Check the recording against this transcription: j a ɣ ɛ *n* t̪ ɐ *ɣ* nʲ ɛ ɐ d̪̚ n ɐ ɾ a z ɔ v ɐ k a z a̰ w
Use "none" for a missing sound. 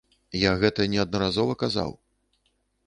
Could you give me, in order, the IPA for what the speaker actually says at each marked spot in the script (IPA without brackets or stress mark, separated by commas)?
none, none